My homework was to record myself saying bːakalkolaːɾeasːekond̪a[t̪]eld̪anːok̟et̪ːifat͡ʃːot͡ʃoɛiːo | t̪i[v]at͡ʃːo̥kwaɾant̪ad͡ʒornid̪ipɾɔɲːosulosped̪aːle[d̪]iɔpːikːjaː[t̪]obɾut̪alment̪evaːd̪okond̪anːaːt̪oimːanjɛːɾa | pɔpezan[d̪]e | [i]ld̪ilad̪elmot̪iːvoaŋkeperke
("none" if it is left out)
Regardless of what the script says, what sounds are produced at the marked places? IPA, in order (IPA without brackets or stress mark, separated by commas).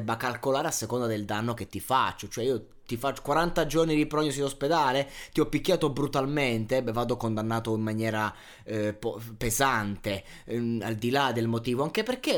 d̪, f, t̪, t̪, t̪, a